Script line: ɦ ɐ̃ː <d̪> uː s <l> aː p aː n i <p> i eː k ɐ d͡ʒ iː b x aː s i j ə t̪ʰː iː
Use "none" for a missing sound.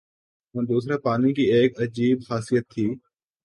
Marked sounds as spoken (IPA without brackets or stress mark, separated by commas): d̪, ɾ, k